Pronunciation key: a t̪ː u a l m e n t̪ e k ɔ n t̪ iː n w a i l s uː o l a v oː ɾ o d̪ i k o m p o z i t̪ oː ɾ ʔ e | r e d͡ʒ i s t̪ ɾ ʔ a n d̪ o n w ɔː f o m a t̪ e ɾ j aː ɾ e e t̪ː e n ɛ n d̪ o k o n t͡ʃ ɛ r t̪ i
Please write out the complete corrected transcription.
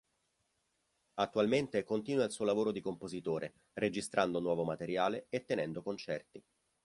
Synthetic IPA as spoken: a t̪ː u a l m e n t̪ e k o n t̪ iː n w a i l s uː o l a v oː ɾ o d̪ i k o m p o z i t̪ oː ɾ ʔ e | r e d͡ʒ i s t̪ ɾ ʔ a n d̪ o n w ɔː v o m a t̪ e ɾ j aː l e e t̪ː e n ɛ n d̪ o k o n t͡ʃ ɛ r t̪ i